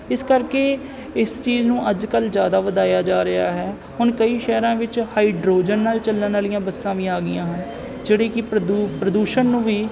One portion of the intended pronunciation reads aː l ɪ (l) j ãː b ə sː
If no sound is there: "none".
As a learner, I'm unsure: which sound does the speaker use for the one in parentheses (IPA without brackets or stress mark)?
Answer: none